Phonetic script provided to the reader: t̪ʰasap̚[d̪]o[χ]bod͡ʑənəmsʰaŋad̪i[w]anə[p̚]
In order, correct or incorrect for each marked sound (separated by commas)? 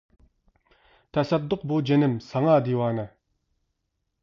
correct, correct, correct, incorrect